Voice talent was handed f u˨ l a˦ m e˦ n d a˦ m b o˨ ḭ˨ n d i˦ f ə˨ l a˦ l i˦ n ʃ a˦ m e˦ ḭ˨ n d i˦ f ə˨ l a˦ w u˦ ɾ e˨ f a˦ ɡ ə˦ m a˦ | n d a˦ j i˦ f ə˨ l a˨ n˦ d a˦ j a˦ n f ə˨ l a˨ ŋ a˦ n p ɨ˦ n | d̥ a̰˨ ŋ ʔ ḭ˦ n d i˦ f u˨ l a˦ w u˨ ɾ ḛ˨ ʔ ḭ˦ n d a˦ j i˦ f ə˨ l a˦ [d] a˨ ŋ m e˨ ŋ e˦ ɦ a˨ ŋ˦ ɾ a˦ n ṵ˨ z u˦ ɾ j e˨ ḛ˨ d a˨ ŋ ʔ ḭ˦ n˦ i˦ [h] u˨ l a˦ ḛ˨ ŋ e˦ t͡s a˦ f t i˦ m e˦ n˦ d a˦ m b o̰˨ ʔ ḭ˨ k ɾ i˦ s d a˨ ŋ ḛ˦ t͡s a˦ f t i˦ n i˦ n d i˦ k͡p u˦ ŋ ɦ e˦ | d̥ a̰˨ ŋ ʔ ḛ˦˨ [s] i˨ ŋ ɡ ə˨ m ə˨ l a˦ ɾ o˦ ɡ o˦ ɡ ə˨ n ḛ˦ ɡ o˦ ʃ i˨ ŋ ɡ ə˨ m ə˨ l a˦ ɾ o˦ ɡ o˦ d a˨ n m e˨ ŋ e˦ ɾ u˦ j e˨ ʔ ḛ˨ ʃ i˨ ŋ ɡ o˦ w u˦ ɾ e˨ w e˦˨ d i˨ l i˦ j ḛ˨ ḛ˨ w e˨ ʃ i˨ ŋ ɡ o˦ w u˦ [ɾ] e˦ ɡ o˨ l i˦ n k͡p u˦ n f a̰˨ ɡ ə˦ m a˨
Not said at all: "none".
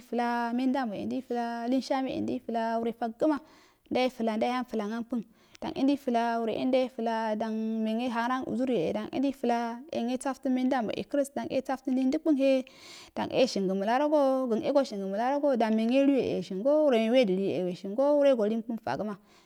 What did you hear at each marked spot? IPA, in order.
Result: d, f, ʃ, ɾ

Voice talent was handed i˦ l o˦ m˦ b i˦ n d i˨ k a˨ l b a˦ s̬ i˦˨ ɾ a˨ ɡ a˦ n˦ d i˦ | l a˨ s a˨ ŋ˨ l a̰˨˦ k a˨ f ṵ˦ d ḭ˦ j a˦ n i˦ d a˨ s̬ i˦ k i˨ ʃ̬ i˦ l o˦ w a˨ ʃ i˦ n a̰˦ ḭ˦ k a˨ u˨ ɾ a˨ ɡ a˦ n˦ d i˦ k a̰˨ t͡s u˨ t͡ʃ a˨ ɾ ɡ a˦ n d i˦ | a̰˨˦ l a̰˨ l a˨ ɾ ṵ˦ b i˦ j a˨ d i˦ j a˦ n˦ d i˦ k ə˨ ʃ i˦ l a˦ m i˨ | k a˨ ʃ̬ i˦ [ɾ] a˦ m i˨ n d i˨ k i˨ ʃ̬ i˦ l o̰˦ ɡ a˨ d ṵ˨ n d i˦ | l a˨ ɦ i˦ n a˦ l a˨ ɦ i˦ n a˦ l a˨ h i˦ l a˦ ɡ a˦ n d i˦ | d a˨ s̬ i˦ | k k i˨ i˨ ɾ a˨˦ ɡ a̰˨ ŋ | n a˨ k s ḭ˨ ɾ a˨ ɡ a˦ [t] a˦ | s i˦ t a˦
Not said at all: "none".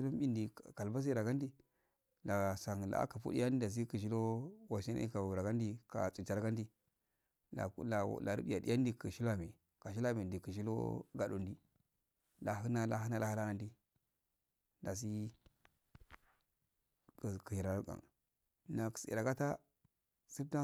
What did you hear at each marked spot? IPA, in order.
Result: l, t

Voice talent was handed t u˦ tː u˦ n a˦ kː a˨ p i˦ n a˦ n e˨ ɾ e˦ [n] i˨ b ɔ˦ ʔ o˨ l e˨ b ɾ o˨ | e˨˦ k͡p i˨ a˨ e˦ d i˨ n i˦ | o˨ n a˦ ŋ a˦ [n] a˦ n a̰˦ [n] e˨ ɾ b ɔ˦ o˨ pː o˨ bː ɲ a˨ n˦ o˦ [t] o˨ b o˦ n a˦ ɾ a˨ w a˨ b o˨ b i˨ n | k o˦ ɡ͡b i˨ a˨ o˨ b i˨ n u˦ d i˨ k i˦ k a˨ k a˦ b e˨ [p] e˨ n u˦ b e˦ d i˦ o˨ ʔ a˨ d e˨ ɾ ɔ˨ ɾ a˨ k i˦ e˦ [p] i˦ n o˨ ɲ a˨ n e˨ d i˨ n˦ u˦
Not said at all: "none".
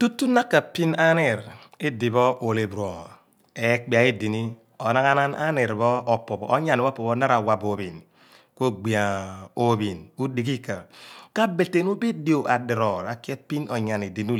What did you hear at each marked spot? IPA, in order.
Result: d, n, n, p, t, p

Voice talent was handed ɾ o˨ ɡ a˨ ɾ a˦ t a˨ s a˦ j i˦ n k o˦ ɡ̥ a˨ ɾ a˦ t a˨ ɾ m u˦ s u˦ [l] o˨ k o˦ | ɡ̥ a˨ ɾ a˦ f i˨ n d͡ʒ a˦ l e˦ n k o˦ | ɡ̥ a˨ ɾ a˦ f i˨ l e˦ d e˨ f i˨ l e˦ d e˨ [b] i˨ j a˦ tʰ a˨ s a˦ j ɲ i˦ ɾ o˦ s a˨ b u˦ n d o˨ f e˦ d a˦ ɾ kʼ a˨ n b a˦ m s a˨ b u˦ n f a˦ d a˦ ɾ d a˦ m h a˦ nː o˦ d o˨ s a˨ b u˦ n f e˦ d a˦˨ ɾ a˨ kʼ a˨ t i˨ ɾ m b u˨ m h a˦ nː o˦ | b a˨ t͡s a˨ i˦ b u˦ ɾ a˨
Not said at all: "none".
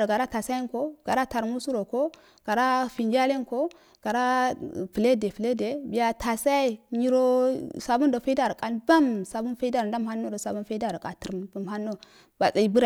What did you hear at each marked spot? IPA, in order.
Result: ɾ, b

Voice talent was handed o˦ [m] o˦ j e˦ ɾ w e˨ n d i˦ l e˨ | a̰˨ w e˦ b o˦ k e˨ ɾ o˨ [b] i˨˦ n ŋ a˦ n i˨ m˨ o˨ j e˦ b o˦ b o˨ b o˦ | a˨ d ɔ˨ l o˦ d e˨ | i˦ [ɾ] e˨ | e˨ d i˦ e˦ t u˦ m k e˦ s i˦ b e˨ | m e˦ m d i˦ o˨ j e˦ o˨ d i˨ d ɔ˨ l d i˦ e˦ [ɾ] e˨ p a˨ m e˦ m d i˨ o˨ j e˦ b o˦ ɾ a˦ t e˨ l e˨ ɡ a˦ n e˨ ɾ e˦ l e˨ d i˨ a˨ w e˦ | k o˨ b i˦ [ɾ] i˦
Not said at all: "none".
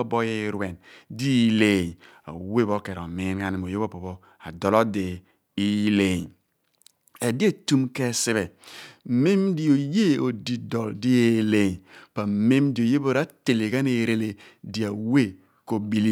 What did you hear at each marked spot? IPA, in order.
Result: b, m, l, l, l

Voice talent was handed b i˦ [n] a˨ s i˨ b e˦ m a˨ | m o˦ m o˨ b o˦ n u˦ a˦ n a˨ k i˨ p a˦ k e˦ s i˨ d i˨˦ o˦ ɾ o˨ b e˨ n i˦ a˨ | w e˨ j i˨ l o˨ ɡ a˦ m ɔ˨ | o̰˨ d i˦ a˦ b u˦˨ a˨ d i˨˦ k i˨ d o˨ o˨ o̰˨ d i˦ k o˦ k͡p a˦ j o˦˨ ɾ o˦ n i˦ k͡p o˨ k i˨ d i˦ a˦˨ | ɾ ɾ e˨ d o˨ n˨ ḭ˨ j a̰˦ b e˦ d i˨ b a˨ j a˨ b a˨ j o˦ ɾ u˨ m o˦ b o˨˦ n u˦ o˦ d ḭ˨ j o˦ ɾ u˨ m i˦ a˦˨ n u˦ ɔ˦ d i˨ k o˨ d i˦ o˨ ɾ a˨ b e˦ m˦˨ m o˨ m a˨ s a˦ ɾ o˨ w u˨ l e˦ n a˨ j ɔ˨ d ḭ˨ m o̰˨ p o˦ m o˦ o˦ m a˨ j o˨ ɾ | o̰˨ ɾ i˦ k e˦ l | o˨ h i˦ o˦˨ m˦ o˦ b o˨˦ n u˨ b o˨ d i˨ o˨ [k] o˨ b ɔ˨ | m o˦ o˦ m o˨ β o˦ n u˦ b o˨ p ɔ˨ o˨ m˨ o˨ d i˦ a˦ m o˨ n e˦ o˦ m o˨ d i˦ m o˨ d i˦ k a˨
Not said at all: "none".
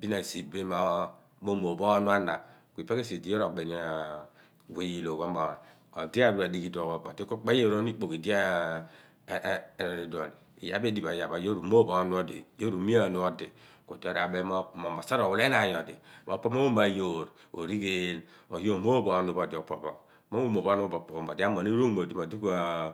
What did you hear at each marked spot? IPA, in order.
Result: n, p

